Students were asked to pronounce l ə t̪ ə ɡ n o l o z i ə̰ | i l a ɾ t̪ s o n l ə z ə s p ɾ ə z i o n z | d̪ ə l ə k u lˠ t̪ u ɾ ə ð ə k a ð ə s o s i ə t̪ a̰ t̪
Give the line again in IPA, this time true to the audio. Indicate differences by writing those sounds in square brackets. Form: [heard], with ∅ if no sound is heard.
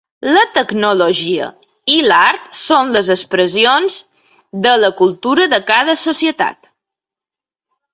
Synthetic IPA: l ə t̪ ə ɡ n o l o [ʒ] i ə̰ | i l a ɾ t̪ s o n l ə z ə s p ɾ ə z i o n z | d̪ ə l ə k u lˠ t̪ u ɾ ə ð ə k a ð ə s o s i ə t̪ a̰ t̪